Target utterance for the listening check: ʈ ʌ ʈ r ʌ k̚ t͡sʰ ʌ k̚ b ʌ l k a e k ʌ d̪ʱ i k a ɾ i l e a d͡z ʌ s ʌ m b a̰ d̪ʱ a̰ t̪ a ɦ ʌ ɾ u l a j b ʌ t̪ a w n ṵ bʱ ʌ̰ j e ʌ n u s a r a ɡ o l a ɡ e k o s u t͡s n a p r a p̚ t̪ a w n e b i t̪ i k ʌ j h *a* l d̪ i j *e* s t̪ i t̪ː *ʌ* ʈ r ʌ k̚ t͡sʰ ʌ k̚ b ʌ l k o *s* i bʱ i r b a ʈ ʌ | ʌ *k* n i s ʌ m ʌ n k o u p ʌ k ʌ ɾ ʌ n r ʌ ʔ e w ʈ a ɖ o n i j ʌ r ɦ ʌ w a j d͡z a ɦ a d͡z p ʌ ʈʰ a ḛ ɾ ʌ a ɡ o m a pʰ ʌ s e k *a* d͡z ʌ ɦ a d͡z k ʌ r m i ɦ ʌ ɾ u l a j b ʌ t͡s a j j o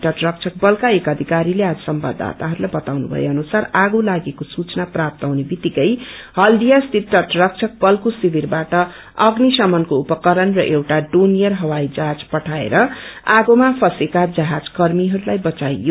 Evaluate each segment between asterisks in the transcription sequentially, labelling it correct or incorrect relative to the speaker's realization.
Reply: incorrect: ʌ, incorrect: a, correct, correct, incorrect: ɡ, correct

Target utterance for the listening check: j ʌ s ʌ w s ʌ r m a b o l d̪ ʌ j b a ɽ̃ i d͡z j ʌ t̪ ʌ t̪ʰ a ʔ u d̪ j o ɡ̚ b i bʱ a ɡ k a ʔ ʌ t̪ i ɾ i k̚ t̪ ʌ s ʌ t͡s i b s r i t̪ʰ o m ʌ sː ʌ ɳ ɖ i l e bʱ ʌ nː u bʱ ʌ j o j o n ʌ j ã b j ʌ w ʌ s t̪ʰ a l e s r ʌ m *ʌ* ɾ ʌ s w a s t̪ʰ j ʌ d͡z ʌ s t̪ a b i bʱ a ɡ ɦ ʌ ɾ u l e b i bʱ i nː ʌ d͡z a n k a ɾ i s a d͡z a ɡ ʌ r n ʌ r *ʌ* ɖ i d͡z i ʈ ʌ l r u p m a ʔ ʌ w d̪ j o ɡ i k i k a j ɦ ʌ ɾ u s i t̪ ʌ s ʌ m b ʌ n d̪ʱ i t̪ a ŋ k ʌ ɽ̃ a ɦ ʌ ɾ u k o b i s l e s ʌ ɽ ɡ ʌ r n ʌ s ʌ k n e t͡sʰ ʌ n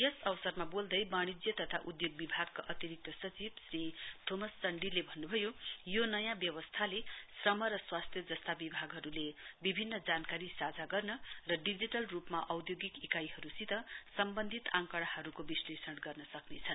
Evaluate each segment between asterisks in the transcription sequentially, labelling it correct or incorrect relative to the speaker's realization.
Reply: correct, correct

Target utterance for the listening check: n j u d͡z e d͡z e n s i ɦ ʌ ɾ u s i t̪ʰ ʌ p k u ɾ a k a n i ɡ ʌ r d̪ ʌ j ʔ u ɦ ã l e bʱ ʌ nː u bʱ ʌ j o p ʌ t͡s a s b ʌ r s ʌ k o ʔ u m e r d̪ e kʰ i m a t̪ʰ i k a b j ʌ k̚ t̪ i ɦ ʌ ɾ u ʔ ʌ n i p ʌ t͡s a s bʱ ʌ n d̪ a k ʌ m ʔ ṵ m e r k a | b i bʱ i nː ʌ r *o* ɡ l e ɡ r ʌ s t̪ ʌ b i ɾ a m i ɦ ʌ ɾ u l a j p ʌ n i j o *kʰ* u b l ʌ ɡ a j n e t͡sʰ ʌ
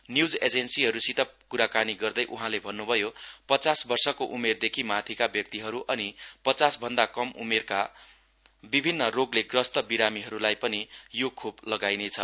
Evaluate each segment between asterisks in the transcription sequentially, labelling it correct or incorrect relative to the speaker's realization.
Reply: correct, correct

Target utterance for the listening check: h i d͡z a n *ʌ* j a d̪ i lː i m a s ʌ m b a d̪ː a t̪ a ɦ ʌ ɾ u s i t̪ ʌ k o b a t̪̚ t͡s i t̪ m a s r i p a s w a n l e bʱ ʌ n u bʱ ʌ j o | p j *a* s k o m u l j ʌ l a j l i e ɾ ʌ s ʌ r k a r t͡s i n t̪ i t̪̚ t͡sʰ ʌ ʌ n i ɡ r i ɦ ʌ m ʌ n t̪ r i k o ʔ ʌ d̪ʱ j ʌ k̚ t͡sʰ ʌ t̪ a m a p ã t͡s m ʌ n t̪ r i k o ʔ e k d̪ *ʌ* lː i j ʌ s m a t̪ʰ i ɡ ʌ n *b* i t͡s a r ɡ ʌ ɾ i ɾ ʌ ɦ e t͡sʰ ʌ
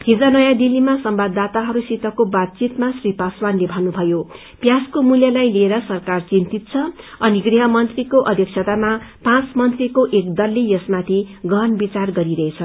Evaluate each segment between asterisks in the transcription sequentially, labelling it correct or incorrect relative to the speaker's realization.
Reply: correct, correct, correct, correct

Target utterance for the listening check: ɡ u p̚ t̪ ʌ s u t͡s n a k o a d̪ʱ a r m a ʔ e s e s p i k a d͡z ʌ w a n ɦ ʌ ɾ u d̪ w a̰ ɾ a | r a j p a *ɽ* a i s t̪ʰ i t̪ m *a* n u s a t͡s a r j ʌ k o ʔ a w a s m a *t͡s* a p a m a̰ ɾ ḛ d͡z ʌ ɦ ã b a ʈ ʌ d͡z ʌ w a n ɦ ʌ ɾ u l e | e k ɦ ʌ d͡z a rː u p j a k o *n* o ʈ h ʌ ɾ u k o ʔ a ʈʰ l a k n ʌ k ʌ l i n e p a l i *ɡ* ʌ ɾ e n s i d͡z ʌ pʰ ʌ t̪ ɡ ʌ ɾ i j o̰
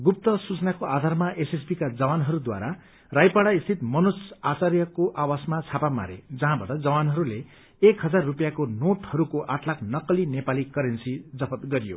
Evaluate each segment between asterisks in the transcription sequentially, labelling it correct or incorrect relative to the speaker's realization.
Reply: correct, incorrect: ʌ, incorrect: t͡sʰ, correct, incorrect: k

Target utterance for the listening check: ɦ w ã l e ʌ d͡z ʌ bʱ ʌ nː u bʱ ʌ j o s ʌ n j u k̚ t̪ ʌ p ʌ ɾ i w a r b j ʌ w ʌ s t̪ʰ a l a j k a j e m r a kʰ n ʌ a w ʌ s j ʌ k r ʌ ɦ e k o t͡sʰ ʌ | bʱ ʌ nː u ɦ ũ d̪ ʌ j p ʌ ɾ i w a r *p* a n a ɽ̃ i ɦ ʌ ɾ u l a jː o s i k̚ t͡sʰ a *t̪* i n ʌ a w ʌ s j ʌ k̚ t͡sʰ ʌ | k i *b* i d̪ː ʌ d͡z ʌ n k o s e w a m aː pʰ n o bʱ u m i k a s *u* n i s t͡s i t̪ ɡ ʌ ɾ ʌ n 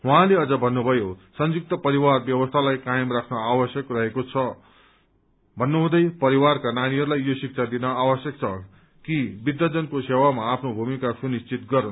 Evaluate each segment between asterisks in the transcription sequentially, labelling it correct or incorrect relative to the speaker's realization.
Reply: incorrect: k, incorrect: d̪, correct, correct

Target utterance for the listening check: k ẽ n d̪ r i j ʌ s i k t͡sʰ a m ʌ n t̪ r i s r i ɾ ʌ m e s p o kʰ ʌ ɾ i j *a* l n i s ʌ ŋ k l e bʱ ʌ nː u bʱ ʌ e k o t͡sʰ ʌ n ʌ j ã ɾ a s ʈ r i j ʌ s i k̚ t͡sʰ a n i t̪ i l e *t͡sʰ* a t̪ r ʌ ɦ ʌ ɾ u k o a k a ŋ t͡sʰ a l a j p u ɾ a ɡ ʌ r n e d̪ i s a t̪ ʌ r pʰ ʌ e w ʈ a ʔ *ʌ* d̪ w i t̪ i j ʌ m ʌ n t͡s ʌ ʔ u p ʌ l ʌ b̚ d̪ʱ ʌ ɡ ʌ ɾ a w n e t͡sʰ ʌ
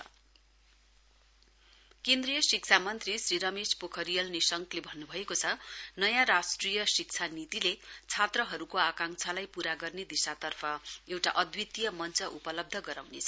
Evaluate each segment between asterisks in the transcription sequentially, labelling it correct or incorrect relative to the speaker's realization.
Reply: incorrect: ʌ, correct, correct

